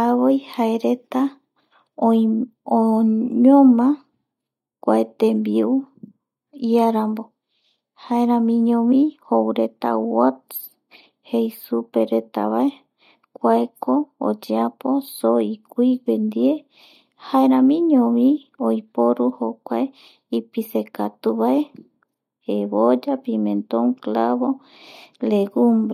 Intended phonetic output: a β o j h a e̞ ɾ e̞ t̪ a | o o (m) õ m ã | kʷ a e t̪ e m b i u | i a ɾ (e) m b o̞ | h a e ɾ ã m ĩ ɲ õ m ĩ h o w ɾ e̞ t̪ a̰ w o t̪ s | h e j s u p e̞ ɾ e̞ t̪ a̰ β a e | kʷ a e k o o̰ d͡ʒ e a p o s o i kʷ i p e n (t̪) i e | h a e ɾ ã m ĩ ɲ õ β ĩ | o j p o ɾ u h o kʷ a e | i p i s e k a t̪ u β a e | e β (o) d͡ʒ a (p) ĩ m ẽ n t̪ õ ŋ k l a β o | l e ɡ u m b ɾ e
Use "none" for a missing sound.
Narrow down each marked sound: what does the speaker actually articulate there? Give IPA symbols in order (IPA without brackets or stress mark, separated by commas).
ɲ, a, d̪, o, p